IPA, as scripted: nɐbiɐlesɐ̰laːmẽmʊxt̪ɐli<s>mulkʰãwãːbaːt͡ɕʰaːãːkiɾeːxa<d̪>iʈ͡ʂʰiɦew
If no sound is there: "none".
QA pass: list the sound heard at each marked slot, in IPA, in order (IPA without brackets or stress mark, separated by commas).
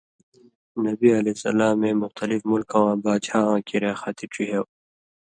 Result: f, t̪